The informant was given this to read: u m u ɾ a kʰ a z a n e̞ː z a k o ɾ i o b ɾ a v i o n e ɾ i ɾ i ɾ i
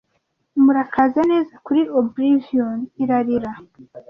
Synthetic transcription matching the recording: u m u ɾ a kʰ a z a n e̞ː z a k u ɾ i o b ɾ i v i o n i ɾ a ɾ i ɾ a